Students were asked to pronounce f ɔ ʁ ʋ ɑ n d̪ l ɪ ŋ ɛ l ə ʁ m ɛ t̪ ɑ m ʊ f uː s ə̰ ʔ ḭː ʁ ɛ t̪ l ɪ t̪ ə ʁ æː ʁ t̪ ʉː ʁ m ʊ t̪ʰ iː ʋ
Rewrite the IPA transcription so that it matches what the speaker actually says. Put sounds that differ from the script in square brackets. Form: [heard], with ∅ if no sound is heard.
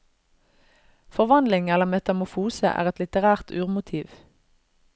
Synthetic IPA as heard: f ɔ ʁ ʋ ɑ n d̪ l ɪ ŋ ɛ l ə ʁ m ɛ t̪ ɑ m ʊ f uː s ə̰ ʔ [æ̰ː] ʁ ɛ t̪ l ɪ t̪ ə ʁ æː ʁ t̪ ʉː ʁ m ʊ t̪ʰ iː ʋ